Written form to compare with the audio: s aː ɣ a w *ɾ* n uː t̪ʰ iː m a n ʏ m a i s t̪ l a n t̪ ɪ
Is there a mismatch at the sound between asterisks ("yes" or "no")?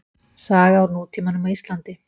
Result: no